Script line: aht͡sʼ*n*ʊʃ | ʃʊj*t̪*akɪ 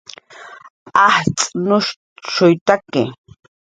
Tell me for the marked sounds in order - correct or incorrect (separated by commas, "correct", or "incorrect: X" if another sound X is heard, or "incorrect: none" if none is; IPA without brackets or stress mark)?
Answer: correct, correct